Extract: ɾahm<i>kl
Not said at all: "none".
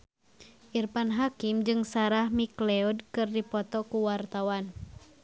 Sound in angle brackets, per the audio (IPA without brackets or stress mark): i